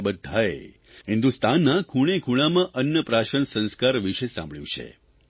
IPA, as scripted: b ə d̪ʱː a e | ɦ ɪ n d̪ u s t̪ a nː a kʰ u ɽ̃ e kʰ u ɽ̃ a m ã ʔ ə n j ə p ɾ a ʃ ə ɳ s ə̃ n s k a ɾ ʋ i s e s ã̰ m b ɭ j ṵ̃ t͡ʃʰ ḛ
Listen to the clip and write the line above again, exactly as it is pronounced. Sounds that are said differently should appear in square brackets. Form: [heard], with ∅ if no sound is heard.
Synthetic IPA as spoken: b ə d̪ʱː a e | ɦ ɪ n d̪ u s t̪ a nː a kʰ u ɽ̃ e kʰ u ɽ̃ a m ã ʔ ə n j ə p ɾ a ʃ ə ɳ s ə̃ n s k a ɾ ʋ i [ʃ] e s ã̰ m b ɭ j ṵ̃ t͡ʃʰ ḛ